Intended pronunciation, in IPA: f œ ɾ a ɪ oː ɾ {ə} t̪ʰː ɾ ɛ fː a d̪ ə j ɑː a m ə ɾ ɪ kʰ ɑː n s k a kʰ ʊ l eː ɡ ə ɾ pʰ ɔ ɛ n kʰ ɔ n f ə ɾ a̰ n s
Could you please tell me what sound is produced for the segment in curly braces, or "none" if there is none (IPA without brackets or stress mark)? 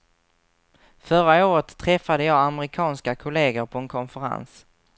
ə